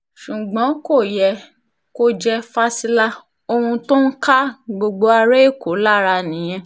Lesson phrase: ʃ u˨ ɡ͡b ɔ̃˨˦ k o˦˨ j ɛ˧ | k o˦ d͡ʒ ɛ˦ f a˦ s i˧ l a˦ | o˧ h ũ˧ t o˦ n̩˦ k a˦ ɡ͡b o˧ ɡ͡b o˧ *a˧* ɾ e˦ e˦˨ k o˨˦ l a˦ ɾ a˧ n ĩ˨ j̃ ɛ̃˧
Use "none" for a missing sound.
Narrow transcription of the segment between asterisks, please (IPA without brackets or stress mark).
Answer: a˧